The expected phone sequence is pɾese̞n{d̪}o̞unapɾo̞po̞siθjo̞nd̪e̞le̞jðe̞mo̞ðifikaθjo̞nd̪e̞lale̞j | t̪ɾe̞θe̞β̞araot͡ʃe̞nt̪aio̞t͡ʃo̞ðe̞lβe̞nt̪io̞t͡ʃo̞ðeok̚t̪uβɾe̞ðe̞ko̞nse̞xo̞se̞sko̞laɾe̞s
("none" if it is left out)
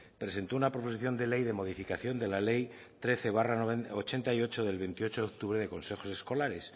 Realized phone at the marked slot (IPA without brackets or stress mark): t̪